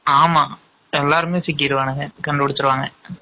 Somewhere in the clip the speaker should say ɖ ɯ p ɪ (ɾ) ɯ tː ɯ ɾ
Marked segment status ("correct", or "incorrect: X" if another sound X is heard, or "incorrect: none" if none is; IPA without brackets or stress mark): incorrect: ɽ